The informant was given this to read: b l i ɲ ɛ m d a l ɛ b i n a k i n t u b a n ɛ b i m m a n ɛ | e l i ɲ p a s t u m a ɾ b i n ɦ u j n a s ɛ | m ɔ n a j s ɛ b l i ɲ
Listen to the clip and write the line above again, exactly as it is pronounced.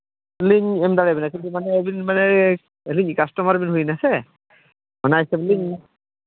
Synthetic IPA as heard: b l i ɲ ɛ m d a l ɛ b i n a k i n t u m a n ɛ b i n m a n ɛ | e l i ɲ k a s t ɔ m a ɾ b i n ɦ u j n a s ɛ | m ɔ n a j s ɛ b l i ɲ